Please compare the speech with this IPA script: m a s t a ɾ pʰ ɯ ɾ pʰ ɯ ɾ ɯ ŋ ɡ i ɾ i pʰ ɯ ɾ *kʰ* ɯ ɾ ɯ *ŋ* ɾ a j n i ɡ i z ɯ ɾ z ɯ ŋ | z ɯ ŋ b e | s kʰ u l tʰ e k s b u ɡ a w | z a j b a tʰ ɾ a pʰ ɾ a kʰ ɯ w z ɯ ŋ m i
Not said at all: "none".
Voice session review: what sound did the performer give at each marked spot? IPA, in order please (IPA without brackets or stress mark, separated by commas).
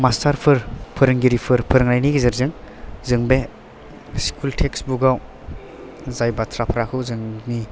pʰ, ŋ